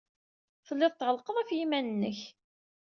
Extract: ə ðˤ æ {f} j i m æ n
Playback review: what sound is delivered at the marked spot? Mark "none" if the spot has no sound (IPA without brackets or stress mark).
f